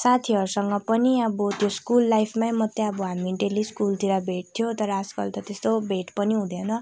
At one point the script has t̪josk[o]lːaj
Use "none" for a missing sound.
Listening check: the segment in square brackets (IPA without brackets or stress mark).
u